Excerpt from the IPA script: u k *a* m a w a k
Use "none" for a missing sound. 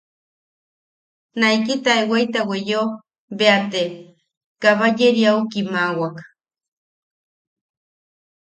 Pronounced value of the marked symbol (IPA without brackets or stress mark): i